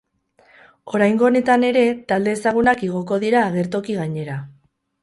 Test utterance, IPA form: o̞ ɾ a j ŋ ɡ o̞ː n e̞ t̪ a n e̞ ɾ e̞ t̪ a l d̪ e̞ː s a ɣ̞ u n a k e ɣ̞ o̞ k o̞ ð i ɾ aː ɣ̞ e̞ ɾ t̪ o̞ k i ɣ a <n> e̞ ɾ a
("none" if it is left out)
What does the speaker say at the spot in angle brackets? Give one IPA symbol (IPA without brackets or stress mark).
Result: ɲ